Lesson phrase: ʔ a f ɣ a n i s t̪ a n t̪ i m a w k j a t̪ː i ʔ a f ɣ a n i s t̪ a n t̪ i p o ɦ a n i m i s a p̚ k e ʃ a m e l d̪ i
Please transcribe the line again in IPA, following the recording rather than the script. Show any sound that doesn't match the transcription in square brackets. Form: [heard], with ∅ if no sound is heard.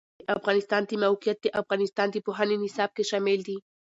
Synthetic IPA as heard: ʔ a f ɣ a n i s t̪ a n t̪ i m a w k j a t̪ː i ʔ a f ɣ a n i s t̪ a n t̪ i p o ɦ a n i [n] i s a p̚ k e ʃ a m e l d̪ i